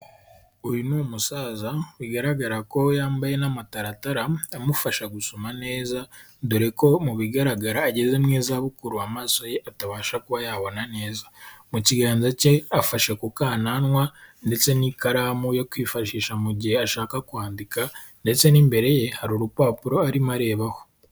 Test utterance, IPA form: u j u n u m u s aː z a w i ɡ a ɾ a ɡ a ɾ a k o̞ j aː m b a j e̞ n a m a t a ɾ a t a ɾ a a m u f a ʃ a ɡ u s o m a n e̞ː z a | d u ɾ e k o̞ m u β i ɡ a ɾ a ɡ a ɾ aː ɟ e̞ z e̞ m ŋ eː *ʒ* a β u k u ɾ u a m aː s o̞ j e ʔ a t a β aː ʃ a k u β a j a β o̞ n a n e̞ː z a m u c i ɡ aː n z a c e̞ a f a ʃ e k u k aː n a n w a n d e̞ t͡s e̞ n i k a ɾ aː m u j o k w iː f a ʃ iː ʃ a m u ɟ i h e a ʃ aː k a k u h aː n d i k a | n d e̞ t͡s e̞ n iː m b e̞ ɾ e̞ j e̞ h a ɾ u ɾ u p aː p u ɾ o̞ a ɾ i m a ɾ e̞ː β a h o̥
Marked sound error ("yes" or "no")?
yes